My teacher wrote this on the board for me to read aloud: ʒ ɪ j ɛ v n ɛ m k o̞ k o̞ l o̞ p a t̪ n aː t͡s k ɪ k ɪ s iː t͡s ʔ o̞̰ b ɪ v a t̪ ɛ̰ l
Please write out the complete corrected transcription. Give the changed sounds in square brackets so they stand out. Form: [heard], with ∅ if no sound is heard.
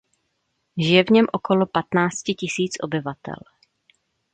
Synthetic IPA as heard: ʒ ɪ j ɛ v [ɲ] ɛ m [ʔ] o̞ k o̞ l o̞ p a t̪ n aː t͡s [c] ɪ [c] ɪ s iː t͡s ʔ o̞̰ b ɪ v a t̪ ɛ̰ l